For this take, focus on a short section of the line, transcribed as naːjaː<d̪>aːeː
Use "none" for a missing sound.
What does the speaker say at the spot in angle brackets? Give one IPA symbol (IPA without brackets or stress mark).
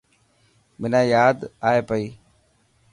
d̪